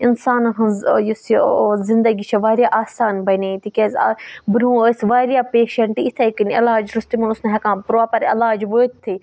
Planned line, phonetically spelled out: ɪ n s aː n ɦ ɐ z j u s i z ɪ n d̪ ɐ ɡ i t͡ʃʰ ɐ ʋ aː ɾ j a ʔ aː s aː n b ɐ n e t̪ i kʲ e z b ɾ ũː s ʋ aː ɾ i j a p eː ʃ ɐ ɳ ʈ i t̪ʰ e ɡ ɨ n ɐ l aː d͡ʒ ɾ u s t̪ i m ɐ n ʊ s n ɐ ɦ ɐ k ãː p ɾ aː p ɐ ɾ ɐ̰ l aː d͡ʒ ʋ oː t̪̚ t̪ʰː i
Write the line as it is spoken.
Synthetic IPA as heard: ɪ n s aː n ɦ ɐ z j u s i z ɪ n d̪ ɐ ɡ i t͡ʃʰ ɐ ʋ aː ɾ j a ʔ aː s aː n b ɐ n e t̪ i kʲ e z b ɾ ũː s ʋ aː ɾ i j a p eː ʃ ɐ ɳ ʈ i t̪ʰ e k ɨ n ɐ l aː d͡ʒ ɾ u s t̪ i m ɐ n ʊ s n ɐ ɦ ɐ k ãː p ɾ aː p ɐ ɾ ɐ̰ l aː d͡ʒ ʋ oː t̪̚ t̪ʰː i

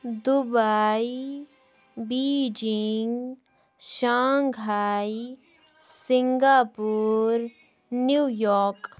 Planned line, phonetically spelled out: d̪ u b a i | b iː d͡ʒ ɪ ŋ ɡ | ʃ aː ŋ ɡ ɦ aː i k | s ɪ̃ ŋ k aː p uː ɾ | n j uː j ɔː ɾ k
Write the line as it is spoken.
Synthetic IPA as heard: d̪ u b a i | b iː d͡ʒ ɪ ŋ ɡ | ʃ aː ŋ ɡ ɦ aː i | s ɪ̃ ŋ ɡ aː p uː ɾ | n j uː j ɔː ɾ k

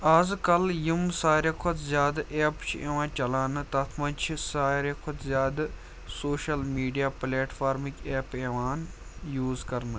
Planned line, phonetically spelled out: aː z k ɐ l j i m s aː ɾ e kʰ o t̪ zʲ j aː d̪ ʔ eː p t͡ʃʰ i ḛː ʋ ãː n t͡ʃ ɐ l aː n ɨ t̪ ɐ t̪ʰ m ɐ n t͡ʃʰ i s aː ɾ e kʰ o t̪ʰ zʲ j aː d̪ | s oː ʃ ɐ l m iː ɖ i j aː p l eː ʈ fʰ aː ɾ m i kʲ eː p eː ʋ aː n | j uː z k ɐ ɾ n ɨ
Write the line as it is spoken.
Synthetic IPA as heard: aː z k ɐ l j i m s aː ɾ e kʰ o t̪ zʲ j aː d̪ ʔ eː p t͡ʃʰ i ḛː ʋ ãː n t͡ʃ ɐ l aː n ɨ t̪ ɐ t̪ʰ m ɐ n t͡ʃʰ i s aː ɾ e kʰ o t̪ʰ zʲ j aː d̪ | s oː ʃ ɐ l m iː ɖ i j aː p l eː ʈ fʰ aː ɾ m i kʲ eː p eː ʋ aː n | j uː z k ɐ ɾ n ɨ

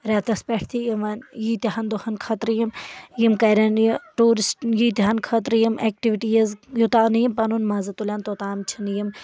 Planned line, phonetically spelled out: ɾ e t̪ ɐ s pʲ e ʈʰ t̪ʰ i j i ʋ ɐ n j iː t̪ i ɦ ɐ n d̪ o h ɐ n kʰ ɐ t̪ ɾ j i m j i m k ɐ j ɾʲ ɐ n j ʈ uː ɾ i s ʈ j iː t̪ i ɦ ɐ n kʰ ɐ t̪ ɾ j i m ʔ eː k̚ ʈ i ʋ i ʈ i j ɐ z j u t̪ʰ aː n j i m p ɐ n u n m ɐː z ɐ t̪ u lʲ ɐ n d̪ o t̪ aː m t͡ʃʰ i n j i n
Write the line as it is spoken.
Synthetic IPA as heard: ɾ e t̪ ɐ s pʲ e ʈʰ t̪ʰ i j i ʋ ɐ n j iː t̪ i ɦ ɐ n d̪ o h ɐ n kʰ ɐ t̪ ɾ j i m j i m k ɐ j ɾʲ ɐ n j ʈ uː ɾ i s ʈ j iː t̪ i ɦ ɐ n kʰ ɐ t̪ ɾ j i m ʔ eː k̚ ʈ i ʋ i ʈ i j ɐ z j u t̪ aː n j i m p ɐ n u n m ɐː z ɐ t̪ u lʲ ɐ n t̪ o t̪ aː m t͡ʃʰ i n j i m

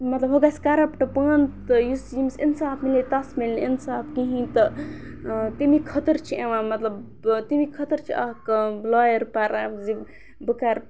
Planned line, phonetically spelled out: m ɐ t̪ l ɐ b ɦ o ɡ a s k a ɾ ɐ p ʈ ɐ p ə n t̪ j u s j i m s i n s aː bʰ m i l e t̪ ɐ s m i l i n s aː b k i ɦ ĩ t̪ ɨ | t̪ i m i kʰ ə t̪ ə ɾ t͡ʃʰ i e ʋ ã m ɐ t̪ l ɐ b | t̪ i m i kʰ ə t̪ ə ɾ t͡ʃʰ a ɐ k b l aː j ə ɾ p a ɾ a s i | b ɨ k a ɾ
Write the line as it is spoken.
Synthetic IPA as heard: m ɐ t̪ l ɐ b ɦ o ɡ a s k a ɾ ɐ p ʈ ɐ p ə n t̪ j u s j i m s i n s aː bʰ m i l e t̪ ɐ s m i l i n s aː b k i ɦ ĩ t̪ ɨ | t̪ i m i kʰ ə t̪ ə ɾ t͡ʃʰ i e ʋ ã m ɐ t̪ l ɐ b | t̪ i m i kʰ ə t̪ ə ɾ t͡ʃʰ i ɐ k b l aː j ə ɾ p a ɾ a z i | b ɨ k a ɾ

